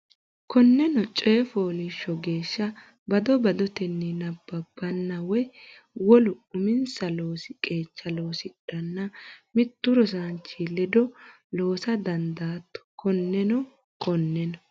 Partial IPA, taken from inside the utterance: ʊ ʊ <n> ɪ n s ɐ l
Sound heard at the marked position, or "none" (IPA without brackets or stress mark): m